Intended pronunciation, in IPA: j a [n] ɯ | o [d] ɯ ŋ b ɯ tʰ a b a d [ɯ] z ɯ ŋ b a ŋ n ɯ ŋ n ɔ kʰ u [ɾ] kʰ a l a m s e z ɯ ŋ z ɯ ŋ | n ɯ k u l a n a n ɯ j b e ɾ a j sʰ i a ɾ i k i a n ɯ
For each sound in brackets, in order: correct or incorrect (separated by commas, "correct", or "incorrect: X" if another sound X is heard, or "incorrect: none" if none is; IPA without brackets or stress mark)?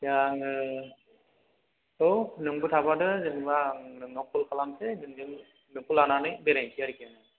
incorrect: ŋ, incorrect: n, correct, incorrect: l